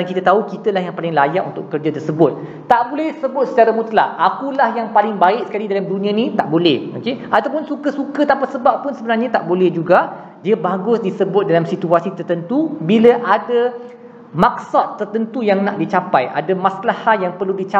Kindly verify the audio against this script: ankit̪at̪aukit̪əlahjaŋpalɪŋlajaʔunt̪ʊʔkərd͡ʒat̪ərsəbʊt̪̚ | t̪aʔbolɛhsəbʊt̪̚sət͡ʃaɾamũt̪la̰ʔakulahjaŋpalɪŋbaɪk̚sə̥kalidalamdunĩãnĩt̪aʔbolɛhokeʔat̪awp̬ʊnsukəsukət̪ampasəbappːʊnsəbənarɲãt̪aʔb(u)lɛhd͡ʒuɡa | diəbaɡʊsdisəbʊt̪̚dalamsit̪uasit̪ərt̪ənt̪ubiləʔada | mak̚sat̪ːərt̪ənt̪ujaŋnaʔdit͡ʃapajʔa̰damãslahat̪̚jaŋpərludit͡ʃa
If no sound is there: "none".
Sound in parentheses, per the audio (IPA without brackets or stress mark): o